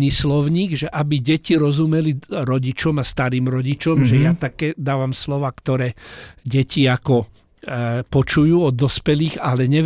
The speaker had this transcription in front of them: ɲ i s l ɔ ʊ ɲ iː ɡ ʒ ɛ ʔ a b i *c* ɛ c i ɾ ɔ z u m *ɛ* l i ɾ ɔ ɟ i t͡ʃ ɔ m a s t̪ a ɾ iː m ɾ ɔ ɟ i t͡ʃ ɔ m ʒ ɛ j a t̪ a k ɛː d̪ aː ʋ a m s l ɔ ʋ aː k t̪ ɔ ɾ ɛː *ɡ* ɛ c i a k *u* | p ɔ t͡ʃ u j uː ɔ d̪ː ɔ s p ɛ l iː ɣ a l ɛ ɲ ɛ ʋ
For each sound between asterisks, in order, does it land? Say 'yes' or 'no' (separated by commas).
no, yes, no, no